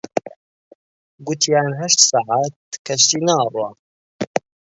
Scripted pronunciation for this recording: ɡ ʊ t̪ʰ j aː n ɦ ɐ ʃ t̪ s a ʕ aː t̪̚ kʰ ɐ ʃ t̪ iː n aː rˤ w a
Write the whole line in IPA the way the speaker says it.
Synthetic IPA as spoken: ɡ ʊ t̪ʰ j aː n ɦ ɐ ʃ t̪ s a ʕ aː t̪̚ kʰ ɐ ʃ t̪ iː n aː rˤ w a